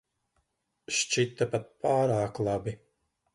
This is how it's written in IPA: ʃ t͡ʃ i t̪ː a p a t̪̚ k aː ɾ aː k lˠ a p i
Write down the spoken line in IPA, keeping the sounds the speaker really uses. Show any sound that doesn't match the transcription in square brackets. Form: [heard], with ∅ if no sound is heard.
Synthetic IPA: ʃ t͡ʃ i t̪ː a p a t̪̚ [p] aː ɾ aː k lˠ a [b] i